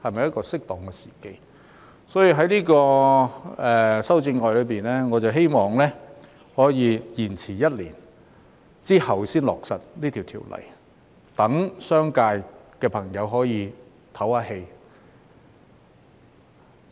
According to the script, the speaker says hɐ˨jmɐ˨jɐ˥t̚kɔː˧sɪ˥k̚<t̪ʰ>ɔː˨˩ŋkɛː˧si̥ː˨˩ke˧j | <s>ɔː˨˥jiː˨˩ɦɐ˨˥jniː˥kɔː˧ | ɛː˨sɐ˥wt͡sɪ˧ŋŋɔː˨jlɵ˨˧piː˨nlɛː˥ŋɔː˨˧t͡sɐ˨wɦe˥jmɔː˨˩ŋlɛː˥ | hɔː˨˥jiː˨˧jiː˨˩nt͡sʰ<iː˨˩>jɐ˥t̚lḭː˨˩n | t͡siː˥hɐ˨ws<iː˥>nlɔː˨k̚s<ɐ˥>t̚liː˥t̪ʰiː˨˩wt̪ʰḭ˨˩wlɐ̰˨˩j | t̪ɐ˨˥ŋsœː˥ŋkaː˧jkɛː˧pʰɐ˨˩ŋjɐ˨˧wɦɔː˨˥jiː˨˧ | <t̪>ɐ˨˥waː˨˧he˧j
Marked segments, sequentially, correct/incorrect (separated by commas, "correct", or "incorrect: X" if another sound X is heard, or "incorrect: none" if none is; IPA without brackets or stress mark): incorrect: t̪, correct, correct, correct, incorrect: ɐ˨, incorrect: t̪ʰ